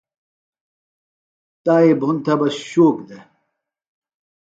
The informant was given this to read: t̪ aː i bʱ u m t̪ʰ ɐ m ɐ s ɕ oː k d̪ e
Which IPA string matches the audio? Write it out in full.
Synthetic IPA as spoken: t̪ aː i bʱ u n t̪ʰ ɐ b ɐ s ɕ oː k d̪ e

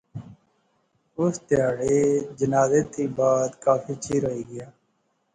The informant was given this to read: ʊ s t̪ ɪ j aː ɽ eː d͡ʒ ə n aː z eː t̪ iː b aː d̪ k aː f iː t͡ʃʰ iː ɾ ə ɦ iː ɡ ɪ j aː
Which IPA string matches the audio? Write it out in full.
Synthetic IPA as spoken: ʊ s t̪ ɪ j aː ɽ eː d͡ʒ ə n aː z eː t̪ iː b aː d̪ k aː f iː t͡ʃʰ iː ɾ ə ɦ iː ɡ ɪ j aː

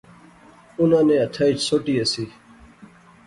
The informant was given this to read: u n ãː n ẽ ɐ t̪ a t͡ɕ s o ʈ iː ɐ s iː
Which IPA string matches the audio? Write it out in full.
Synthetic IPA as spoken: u n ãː n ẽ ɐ t̪ʰ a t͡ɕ s o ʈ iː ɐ s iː

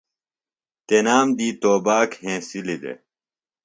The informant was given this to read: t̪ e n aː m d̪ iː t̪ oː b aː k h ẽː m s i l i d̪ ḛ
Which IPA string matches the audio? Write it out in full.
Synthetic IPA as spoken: t̪ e n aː m d̪ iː t̪ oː b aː k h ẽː s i l i d̪ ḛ

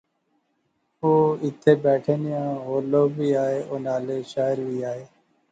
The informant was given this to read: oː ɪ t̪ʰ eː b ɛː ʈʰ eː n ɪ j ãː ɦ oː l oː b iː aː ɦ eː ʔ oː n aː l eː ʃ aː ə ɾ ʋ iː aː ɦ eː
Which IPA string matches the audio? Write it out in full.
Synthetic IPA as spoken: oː ɪ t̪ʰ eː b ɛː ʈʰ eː n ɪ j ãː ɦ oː l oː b iː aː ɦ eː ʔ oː n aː l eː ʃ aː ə ɾ ʋ iː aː ɦ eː

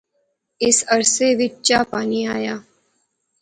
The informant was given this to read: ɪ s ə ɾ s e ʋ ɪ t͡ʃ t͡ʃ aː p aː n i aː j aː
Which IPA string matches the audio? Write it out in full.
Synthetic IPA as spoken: ɪ s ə ɾ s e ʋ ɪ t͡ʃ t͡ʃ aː p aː n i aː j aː

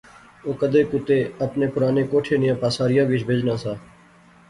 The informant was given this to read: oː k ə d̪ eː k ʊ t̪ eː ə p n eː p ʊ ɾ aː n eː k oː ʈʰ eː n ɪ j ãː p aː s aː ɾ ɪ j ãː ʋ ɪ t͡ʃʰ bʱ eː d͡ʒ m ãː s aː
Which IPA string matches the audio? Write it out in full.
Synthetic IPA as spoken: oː k ə d̪ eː k ʊ t̪ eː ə p n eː p ʊ ɾ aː n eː k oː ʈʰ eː n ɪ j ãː p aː s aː ɾ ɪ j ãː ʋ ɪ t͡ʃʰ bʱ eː d͡ʒ n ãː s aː

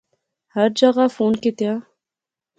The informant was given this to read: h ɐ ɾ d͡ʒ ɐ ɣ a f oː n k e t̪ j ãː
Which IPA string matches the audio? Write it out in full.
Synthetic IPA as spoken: h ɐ ɾ d͡ʒ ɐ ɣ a f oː n k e t̪ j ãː

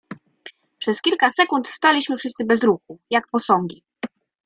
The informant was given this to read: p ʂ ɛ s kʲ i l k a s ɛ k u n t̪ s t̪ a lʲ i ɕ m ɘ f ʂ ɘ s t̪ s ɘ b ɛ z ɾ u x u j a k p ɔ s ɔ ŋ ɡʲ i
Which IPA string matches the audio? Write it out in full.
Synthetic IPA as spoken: p ʂ ɛ s kʲ i l k a s ɛ k u n t̪ s t̪ a lʲ i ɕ m ɘ f ʂ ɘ s t̪ s ɘ b ɛ z ɾ u x u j a k p ɔ s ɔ ŋ ɡʲ i

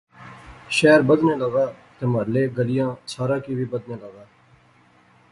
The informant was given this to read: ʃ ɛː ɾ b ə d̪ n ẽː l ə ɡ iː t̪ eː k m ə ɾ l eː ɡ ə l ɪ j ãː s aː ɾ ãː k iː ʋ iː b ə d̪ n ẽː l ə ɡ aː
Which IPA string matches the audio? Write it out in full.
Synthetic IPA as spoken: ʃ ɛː ɾ b ə d̪ n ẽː l ə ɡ aː t̪ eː m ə ɾ l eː ɡ ə l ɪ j ãː s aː ɾ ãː k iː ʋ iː b ə d̪ n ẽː l ə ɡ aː

